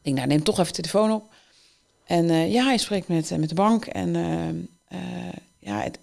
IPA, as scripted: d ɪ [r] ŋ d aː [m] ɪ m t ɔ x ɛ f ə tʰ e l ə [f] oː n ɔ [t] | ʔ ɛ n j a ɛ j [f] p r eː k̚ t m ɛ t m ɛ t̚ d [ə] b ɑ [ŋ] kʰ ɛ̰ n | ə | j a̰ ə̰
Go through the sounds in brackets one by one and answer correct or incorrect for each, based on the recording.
incorrect: none, incorrect: n, correct, incorrect: p, incorrect: s, correct, correct

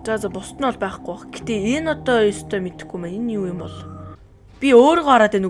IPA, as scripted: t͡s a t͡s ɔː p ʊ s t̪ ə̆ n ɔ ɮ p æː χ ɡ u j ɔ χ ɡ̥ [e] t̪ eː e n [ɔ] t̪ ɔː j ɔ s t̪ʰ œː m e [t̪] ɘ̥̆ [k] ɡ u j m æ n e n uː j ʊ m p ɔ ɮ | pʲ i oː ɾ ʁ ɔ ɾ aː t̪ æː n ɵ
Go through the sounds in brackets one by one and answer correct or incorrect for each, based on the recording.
correct, correct, correct, incorrect: x

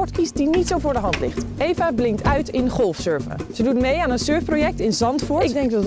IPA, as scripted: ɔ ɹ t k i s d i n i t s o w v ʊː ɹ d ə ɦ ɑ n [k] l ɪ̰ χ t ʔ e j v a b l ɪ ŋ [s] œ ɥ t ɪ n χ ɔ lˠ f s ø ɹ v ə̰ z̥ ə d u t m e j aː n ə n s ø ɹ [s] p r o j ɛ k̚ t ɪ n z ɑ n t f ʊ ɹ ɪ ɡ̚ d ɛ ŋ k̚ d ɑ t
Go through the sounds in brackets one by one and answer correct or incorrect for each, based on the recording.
incorrect: t, incorrect: t, incorrect: f

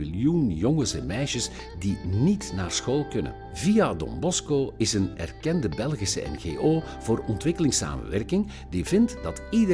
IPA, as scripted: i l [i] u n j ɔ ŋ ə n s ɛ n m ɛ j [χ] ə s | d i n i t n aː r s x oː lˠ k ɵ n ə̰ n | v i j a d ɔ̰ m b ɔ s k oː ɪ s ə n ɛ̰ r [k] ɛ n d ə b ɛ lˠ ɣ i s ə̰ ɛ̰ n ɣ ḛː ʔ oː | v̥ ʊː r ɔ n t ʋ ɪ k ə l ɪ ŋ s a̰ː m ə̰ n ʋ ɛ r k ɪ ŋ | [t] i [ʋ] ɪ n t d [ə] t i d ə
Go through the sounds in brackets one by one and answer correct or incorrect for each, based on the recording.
incorrect: j, incorrect: ʃ, correct, incorrect: d, incorrect: v, incorrect: ɑ

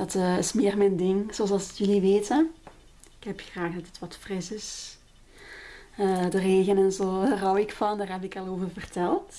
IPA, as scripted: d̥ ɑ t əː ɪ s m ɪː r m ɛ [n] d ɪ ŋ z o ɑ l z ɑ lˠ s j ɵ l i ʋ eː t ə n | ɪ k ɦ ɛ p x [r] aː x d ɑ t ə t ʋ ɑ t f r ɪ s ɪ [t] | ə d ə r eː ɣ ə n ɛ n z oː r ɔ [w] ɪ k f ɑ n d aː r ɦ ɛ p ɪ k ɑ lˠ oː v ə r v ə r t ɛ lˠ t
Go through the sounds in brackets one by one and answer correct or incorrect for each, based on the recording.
correct, correct, incorrect: s, correct

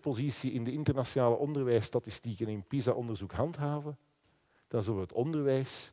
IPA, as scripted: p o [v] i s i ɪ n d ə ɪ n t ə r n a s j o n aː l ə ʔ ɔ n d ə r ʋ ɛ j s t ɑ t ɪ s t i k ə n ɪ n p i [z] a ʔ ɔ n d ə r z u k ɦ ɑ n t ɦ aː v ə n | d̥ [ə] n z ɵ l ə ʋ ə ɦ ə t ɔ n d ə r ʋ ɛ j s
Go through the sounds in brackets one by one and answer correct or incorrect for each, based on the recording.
incorrect: z, correct, incorrect: ɑ

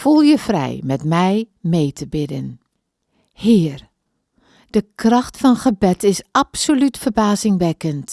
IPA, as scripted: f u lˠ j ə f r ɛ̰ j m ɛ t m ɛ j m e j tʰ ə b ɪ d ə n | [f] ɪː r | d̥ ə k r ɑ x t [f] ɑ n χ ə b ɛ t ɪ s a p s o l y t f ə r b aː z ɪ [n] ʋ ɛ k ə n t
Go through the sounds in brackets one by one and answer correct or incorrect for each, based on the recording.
incorrect: h, correct, incorrect: ŋ

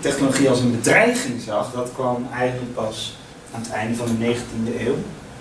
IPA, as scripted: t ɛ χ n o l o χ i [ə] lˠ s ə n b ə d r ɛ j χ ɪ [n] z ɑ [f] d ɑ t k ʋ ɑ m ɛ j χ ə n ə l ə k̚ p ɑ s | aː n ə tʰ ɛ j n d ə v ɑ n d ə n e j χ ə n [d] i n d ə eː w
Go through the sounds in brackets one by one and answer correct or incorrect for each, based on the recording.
incorrect: ɑ, incorrect: ŋ, incorrect: χ, incorrect: t

